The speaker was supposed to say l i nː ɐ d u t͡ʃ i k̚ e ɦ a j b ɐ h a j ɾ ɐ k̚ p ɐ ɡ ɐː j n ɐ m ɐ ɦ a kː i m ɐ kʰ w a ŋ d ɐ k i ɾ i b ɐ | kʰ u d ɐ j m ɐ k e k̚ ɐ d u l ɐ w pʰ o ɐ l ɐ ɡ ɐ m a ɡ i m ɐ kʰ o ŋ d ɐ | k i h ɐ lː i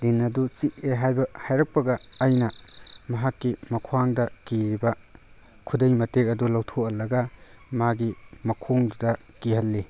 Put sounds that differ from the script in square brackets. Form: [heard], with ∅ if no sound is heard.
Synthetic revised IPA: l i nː ɐ d u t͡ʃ i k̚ e ɦ a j b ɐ h a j ɾ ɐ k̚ p ɐ ɡ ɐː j n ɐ m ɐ ɦ a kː i m ɐ kʰ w a ŋ d ɐ k i ɾ i b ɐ | kʰ u d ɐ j m ɐ [t] e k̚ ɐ d u l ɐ w [tʰ] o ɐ l ɐ ɡ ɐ m a ɡ i m ɐ kʰ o ŋ d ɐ | k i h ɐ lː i